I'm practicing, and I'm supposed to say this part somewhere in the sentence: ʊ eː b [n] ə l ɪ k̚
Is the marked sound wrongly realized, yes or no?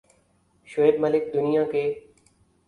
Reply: yes